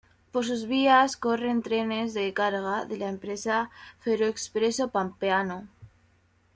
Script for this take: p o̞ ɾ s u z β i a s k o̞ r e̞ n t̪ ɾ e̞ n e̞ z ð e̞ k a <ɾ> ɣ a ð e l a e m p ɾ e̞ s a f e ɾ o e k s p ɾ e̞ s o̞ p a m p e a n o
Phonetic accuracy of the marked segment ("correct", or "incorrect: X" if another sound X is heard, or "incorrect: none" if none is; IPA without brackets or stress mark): correct